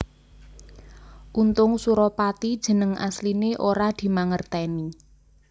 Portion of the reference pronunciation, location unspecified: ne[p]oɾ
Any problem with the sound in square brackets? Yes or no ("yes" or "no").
yes